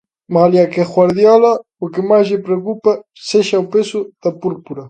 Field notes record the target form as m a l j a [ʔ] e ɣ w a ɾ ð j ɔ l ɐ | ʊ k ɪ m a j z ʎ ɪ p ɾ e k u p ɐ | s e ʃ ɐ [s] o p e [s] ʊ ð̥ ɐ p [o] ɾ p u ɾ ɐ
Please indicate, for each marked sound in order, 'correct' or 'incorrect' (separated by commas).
incorrect, incorrect, correct, incorrect